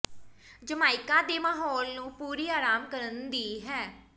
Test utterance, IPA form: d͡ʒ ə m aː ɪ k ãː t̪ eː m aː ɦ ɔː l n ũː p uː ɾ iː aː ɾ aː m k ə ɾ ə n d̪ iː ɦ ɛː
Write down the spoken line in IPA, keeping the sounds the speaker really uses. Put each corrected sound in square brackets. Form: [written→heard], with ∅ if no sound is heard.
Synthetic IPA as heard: d͡ʒ ə m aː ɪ k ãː [t̪→d̪] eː m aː ɦ ɔː l n ũː p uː ɾ iː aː ɾ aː m k ə ɾ ə n d̪ iː ɦ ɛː